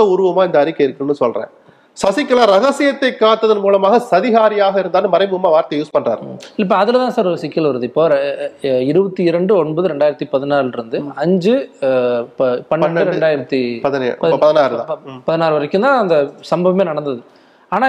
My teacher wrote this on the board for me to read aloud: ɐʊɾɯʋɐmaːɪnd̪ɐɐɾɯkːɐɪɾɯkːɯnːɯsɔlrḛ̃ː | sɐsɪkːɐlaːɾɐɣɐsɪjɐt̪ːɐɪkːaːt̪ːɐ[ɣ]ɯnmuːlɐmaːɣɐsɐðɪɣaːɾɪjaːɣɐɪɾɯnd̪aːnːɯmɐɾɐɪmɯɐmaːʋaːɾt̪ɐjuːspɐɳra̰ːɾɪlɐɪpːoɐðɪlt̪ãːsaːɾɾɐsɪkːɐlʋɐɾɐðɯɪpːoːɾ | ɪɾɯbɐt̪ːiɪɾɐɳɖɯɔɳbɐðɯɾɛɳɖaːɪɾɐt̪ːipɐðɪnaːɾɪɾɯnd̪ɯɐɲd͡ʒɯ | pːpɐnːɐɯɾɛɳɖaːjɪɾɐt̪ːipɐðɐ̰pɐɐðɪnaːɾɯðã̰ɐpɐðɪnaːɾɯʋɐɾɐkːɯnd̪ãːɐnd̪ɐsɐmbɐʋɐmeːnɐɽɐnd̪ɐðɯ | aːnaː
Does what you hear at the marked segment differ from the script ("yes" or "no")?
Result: yes